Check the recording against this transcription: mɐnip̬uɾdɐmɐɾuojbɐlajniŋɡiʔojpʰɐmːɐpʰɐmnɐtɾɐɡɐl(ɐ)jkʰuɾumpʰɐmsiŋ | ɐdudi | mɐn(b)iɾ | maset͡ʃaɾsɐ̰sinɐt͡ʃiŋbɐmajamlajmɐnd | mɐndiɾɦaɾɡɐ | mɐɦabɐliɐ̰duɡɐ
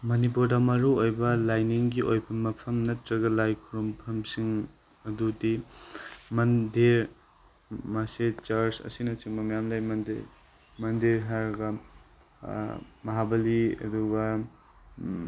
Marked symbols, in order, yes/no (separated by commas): no, no